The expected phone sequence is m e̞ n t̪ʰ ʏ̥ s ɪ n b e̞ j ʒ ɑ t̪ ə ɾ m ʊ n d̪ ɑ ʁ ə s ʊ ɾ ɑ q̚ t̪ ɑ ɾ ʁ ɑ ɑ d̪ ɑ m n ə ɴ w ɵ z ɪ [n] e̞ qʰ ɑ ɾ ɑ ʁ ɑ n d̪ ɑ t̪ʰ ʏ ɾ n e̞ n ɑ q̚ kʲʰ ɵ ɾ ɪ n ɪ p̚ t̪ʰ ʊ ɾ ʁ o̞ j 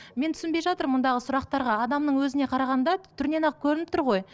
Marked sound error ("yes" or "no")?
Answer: no